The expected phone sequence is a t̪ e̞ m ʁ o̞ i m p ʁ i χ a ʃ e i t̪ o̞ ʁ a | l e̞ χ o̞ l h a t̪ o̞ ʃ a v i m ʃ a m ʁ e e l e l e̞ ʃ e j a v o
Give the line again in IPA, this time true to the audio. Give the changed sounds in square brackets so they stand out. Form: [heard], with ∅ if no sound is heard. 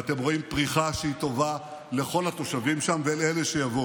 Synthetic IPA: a t̪ e̞ m ʁ o̞ i m p ʁ i χ a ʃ e i t̪ o̞ [v] a | l e̞ χ o̞ l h a t̪ o̞ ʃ a v i m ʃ a m [v] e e l e l e̞ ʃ e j a v o